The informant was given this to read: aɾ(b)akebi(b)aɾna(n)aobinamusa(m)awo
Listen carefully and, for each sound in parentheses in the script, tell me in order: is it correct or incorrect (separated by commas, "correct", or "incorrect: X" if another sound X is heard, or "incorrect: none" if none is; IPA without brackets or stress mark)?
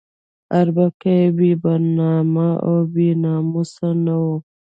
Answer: correct, correct, incorrect: m, incorrect: n